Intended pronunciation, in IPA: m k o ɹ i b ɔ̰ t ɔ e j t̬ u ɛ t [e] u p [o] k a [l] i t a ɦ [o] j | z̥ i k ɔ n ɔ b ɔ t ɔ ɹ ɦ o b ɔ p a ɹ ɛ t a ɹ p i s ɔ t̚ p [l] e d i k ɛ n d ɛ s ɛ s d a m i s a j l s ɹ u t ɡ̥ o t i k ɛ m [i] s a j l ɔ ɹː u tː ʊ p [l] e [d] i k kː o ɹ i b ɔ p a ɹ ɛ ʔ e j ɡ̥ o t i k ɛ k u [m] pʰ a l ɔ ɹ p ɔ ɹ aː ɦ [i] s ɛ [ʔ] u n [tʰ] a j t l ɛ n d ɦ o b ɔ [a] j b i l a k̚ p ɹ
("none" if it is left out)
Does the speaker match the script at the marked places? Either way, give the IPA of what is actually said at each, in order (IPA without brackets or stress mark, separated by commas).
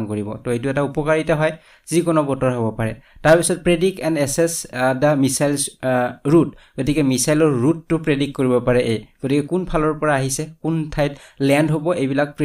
a, ɔ, ɹ, ɔ, ɹ, i, ɹ, d, n, i, k, tʰ, e